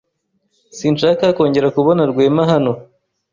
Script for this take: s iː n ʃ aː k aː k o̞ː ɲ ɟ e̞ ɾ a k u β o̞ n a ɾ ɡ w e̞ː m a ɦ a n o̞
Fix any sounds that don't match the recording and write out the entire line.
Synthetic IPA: s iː n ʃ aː k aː k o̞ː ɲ ɟ e̞ ɾ a k u β o̞ n a ɾ ɡ w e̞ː m a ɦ a n o̞